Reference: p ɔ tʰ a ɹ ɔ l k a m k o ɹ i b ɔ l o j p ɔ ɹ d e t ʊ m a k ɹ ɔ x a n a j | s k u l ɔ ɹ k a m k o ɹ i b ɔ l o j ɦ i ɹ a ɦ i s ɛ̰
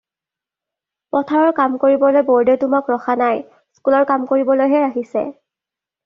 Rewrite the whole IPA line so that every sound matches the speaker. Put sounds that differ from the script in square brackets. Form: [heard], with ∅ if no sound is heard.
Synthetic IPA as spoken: p ɔ tʰ a ɹ ɔ [ɹ] k a m k o ɹ i b ɔ l o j [b] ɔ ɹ d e t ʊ m a k ɹ ɔ x a n a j | s k u l ɔ ɹ k a m k o ɹ i b ɔ l o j ɦ [ɛ] ɹ a ɦ i s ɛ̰

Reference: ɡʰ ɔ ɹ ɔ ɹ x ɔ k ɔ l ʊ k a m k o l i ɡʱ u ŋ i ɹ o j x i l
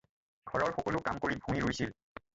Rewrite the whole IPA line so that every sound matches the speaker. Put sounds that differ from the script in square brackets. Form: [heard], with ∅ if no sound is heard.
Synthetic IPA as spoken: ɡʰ ɔ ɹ ɔ ɹ x ɔ k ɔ l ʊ k a m k o [ɹ] i [bʱ] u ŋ i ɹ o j [s] i l

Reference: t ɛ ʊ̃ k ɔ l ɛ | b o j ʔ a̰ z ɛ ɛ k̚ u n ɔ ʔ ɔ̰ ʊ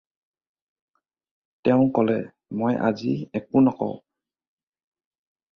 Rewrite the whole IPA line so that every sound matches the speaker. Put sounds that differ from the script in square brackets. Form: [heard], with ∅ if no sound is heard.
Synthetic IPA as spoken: t ɛ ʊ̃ k ɔ l ɛ | [m] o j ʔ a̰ z [i] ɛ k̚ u n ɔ [k] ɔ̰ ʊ

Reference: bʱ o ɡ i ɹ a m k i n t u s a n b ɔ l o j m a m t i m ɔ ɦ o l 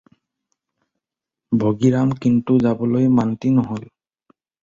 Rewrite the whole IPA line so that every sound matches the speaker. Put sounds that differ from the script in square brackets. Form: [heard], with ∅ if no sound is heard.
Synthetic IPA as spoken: bʱ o ɡ i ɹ a m k i n t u [z] a [∅] b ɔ l o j m a [n] t i [n] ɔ ɦ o l

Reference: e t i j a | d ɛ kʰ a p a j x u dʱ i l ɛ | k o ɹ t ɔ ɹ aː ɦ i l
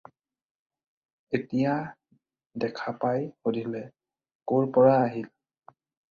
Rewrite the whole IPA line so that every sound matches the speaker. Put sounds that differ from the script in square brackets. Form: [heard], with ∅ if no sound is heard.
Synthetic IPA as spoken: e t i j a | d ɛ kʰ a p a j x [o] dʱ i l ɛ | k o ɹ [p] ɔ ɹ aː ɦ i l

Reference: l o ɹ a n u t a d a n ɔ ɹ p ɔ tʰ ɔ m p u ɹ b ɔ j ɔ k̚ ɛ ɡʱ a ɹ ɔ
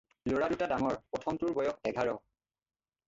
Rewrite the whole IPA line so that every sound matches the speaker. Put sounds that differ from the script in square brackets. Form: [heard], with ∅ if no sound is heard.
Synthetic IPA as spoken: l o ɹ a [d] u t a d a [ŋ] ɔ ɹ p ɔ tʰ ɔ m [t] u ɹ b ɔ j ɔ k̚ ɛ ɡʱ a ɹ ɔ

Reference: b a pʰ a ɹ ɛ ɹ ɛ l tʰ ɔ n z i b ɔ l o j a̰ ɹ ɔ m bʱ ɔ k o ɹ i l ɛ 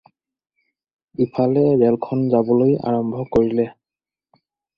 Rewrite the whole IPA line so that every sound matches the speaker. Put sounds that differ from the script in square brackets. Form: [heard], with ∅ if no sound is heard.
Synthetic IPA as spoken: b [i] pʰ a [l] ɛ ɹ ɛ l [kʰ] ɔ n z [a] b ɔ l o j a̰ ɹ ɔ m bʱ ɔ k o ɹ i l ɛ

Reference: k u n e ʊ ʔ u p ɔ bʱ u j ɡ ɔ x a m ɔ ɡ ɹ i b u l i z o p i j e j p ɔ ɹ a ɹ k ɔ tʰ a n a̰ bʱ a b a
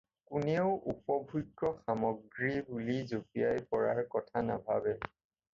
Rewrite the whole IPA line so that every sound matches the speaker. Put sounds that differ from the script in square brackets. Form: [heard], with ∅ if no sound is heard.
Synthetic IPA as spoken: k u n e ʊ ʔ u p ɔ bʱ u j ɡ ɔ x a m ɔ ɡ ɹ i b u l i z o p i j [a] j p ɔ ɹ a ɹ k ɔ tʰ a n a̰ bʱ a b [ɛ]

